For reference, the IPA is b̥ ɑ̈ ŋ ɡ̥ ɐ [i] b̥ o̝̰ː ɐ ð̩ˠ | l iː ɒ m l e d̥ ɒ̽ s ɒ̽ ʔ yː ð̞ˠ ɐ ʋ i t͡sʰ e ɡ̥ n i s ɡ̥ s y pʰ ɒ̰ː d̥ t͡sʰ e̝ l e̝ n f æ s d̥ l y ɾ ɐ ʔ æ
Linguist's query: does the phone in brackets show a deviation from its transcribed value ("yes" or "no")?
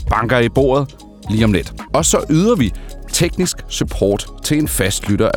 no